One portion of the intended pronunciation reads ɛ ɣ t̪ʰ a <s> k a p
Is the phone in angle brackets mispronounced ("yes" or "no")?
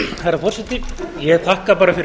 yes